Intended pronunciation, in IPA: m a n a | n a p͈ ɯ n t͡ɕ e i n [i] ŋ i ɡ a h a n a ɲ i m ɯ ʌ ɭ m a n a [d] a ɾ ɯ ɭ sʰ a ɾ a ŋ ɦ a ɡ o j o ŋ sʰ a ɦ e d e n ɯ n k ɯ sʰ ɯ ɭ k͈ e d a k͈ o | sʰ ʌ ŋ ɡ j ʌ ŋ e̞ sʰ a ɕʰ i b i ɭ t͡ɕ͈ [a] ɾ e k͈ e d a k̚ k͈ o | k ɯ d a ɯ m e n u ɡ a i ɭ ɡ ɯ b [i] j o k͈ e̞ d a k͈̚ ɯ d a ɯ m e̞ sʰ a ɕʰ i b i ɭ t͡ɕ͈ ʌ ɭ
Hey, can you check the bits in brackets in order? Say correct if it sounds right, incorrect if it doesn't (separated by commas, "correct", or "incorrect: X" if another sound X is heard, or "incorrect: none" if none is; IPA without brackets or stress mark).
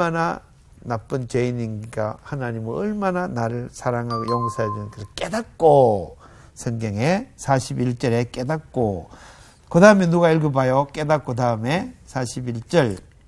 correct, incorrect: n, incorrect: ʌ, incorrect: a